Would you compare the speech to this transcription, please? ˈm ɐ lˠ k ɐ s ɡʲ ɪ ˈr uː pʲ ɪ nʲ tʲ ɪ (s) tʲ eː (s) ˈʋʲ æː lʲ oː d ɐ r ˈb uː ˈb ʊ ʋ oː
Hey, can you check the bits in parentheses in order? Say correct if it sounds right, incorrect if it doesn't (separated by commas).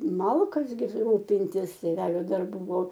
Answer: correct, incorrect